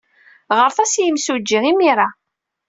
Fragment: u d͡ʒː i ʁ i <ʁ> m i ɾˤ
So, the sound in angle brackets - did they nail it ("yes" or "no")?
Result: no